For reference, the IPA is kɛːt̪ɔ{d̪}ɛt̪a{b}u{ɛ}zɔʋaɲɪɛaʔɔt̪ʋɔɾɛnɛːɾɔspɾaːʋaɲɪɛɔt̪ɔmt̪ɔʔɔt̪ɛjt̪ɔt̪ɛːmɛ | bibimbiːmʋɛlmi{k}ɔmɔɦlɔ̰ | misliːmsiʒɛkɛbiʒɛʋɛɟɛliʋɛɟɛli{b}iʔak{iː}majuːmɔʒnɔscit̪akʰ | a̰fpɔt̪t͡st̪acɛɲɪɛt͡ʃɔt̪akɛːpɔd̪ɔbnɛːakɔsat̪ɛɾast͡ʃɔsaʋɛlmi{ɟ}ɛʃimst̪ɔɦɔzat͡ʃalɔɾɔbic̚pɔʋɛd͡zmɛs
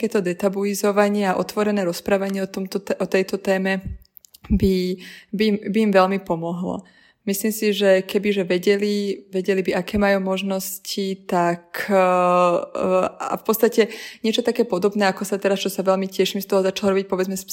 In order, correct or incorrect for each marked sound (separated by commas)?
correct, correct, incorrect, incorrect, correct, incorrect, incorrect